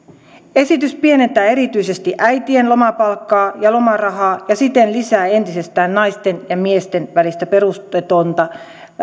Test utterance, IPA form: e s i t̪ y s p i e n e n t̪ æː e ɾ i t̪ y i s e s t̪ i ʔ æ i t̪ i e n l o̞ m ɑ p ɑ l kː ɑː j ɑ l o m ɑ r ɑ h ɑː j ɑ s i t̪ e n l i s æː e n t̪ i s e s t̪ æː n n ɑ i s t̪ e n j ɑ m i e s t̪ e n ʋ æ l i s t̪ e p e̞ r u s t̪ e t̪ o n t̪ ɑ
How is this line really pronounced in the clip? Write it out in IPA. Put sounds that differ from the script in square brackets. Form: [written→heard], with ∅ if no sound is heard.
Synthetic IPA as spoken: e s i t̪ y s p i e n e n t̪ æː e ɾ i t̪ y i s e s t̪ i ʔ æ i t̪ i e n l o̞ m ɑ p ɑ l kː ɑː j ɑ l o m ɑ r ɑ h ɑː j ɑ s i t̪ e n l i s æː e n t̪ i s e s t̪ æː n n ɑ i s t̪ e n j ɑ m i e s t̪ e n ʋ æ l i s t̪ [e→æ] p e̞ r u s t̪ e t̪ o n t̪ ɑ